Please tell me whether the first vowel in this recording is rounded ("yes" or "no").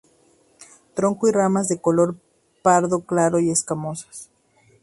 yes